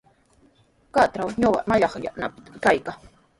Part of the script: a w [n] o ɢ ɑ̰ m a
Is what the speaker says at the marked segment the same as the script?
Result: no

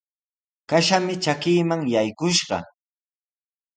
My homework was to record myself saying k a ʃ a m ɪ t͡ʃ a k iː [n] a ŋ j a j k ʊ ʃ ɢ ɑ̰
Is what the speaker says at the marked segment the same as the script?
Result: no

